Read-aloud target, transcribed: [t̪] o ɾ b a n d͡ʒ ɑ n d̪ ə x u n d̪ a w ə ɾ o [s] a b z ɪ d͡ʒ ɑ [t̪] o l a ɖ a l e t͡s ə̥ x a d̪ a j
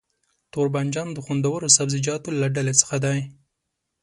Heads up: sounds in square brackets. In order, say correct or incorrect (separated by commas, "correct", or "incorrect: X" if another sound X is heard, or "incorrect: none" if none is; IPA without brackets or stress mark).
correct, correct, correct